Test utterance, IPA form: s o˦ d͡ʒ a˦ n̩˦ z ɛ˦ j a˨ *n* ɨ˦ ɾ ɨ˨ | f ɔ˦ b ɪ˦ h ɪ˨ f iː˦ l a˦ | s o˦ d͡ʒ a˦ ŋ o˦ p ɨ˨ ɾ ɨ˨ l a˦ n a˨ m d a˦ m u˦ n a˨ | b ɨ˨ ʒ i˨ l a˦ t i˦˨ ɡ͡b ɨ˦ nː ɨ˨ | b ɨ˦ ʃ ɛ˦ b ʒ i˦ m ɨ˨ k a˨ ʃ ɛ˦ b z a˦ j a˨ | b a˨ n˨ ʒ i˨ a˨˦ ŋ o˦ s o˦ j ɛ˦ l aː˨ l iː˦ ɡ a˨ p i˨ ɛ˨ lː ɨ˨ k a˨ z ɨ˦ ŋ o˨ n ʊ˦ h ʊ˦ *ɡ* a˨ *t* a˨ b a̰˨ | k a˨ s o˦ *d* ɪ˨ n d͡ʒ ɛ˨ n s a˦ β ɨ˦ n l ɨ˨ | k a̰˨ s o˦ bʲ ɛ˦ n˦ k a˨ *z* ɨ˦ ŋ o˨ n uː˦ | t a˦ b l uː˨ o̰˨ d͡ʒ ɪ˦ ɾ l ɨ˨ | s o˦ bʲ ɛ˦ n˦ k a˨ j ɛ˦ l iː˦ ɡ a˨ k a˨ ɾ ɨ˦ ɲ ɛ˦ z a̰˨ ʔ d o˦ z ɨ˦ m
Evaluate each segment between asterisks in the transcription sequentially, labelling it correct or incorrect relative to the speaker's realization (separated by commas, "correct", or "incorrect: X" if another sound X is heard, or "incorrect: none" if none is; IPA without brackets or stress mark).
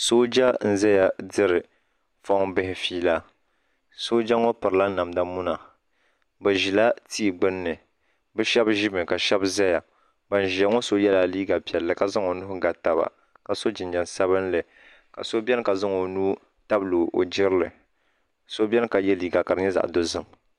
incorrect: d, correct, correct, incorrect: d͡ʒ, correct